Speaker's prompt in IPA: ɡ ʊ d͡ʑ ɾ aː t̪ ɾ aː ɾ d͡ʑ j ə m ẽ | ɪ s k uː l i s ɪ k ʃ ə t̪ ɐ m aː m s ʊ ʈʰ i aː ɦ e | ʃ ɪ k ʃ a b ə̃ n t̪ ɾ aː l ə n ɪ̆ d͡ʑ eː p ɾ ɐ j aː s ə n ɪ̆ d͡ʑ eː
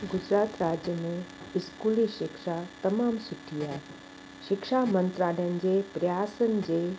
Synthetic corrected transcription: ɡ ʊ d͡ʑ ɾ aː t̪ ɾ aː d͡ʑ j ə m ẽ | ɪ s k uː l i ʃ ɪ k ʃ a t̪ ɐ m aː m s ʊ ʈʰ i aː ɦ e | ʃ ɪ k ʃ a m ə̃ n t̪ ɾ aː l ə n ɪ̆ d͡ʑ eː p ɾ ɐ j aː s ə n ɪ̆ d͡ʑ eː